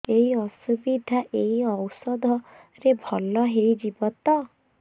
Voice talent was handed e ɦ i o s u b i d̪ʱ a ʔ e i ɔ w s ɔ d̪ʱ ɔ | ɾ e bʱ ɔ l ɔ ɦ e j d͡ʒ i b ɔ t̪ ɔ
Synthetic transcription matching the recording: e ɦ i ɔ s u b i d̪ʱ a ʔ e i ɔ w s ɔ d̪ʱ ɔ | ɾ e bʱ ɔ l ɔ ɦ e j d͡ʒ i b ɔ t̪ ɔ

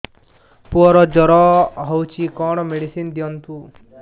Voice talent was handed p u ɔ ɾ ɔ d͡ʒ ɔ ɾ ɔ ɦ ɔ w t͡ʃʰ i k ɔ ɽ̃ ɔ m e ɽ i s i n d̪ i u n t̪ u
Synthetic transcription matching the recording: p u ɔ ɾ ɔ d͡ʒ ɔ ɾ ɔ ɦ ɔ w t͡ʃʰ i k ɔ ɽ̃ ɔ m e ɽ i s i n d̪ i ɔ n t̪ u

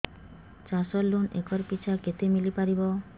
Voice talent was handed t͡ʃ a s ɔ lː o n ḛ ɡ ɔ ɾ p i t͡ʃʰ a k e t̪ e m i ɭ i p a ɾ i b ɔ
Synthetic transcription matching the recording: t͡ʃ a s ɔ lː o n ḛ k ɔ ɾ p i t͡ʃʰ a k e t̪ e m i l i p a ɾ i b ɔ

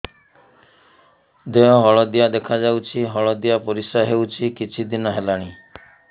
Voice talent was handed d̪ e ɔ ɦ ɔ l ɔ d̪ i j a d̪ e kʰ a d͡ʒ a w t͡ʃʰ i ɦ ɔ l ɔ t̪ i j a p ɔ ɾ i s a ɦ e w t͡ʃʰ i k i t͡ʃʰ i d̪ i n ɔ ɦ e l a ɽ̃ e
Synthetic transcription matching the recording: d̪ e ɔ ɦ ɔ ɭ ɔ d̪ i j a d̪ e kʰ a d͡ʒ a w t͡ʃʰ i ɦ ɔ ɭ ɔ d̪ i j a p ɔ ɾ i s a ɦ e w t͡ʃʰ i k i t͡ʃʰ i d̪ i n ɔ ɦ e l a ɽ̃ i

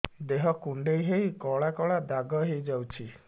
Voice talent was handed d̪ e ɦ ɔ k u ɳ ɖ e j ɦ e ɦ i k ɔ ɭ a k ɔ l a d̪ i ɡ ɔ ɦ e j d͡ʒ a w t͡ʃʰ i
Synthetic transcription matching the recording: d̪ e ɦ ɔ k u ɳ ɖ e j ɦ e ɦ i k ɔ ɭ a k ɔ ɭ a d̪ a ɡ ɔ ɦ e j d͡ʒ a w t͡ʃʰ i

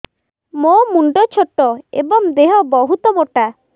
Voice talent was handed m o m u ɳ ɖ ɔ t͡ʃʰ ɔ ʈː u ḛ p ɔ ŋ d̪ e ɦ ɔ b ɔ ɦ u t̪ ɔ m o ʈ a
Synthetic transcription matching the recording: m o m u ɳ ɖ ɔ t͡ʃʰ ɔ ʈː ɔ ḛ b ɔ ŋ d̪ e ɦ ɔ b ɔ ɦ u t̪ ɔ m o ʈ a

